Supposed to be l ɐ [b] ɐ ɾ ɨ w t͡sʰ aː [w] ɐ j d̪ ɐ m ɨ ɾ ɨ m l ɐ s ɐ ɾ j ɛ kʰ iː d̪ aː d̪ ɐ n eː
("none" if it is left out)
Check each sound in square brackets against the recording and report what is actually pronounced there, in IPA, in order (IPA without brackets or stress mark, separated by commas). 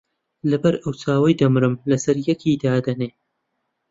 b, w